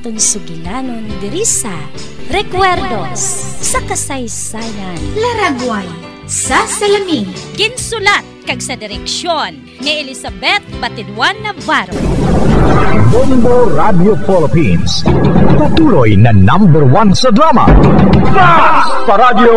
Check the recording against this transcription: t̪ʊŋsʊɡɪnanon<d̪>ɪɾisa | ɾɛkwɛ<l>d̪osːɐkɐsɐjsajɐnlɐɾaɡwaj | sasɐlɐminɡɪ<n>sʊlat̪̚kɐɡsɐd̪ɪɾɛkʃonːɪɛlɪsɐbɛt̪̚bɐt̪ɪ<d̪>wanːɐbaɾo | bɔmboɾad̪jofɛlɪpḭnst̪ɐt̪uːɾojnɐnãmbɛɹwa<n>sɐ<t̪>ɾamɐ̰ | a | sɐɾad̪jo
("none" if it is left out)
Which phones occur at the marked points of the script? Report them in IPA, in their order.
d̪, ɾ, n, d̪, n, d̪

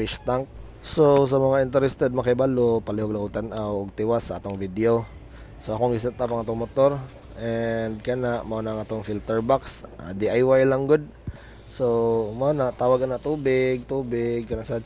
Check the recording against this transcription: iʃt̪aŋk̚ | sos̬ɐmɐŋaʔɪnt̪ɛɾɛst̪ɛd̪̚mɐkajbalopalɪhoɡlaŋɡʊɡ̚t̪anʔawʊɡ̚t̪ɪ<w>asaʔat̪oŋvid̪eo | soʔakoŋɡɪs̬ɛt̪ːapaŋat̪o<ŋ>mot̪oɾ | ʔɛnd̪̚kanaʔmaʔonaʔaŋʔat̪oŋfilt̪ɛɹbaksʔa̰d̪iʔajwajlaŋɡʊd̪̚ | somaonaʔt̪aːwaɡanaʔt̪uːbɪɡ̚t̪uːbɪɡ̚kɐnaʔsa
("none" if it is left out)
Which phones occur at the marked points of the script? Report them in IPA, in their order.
w, ŋ

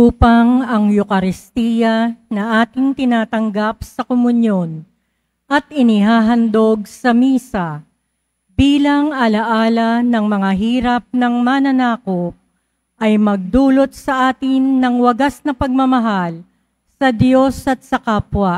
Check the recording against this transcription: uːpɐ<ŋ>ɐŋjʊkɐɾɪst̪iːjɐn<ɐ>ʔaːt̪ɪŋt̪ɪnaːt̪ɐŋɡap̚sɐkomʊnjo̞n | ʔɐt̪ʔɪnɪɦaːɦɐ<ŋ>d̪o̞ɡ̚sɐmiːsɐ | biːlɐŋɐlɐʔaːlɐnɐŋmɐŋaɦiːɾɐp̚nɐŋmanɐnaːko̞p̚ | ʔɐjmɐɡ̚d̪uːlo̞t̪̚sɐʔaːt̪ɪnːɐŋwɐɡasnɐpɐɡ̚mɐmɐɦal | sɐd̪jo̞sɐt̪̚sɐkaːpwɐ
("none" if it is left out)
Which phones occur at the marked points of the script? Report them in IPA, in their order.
ŋ, ɐ, n

